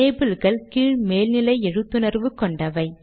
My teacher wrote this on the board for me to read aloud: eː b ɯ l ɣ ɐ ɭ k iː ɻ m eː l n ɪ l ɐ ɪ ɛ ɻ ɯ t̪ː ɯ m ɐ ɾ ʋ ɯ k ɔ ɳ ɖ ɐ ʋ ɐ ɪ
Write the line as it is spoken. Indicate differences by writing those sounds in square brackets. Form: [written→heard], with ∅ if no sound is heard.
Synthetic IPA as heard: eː b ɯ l ɣ ɐ ɭ k iː ɻ m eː l n ɪ l ɐ ɪ ɛ ɻ ɯ t̪ː ɯ [m→n] ɐ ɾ ʋ ɯ k ɔ ɳ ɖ ɐ ʋ ɐ ɪ